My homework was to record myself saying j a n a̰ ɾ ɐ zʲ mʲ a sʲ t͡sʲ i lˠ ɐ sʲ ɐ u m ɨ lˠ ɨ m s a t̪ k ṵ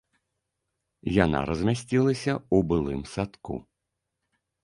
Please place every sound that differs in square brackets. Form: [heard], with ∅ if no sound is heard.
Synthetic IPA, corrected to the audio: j a n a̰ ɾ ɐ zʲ mʲ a sʲ t͡sʲ i lˠ ɐ sʲ ɐ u [b] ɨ lˠ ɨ m s a t̪ k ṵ